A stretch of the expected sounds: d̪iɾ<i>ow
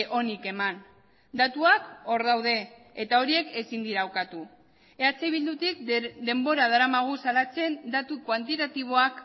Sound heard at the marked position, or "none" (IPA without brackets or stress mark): a